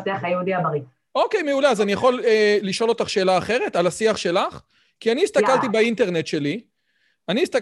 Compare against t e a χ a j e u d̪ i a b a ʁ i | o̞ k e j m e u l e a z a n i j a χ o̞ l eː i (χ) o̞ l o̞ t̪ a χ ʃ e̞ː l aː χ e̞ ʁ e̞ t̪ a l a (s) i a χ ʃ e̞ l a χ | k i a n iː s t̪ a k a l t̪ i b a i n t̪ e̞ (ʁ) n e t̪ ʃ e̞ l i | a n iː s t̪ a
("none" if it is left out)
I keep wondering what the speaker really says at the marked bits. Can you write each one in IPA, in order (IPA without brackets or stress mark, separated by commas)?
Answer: ʃ, s, ʁ